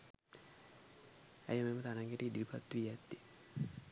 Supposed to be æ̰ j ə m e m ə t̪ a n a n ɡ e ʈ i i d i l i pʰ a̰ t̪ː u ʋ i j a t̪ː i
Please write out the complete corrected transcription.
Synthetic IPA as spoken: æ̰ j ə m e m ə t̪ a n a ŋ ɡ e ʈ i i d i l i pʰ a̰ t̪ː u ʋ i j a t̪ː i